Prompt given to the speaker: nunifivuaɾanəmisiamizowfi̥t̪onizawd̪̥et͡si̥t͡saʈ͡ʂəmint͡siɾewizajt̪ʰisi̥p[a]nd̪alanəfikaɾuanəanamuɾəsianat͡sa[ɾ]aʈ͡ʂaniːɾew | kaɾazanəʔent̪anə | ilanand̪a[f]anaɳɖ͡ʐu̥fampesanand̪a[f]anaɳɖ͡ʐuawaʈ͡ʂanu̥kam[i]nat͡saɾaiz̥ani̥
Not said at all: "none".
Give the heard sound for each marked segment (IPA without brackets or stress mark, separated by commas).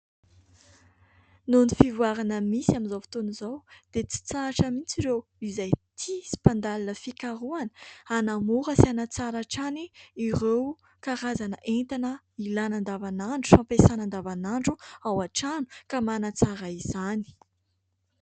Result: a, ɾ, v, v, a